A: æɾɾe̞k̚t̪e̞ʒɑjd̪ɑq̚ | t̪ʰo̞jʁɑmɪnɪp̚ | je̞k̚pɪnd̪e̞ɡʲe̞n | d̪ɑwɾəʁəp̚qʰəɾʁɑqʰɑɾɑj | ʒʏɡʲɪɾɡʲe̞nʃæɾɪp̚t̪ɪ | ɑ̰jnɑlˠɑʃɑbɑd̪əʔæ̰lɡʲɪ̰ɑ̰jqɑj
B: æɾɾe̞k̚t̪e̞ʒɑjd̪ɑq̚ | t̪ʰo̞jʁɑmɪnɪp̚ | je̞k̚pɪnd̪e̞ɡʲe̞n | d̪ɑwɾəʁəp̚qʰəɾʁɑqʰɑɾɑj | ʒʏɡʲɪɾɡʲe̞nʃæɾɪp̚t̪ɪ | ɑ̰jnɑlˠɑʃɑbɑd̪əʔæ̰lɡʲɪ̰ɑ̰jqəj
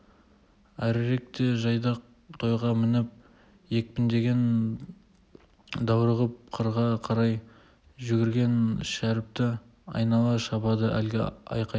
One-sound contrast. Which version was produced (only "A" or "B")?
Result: A